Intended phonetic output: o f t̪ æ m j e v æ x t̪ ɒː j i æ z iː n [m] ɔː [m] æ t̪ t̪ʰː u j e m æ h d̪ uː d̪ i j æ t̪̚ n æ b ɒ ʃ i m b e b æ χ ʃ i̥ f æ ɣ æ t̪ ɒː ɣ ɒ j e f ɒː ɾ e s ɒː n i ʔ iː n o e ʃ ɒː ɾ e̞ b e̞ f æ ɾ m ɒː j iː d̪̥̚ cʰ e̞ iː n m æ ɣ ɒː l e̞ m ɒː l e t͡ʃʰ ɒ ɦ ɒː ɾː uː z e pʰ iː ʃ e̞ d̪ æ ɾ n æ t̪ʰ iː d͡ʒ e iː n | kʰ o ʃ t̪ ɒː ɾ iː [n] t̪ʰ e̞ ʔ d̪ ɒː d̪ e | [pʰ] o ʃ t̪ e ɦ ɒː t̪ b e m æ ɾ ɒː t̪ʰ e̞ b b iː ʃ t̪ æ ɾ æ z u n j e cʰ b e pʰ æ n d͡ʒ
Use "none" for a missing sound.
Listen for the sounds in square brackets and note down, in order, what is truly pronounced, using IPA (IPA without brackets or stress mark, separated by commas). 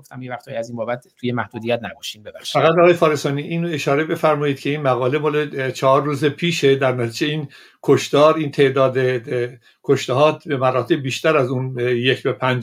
b, b, n, kʰ